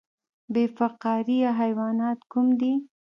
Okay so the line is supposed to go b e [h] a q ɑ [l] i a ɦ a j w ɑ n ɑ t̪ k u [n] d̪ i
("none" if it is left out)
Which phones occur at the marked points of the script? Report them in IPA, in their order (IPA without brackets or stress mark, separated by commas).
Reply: f, ɾ, m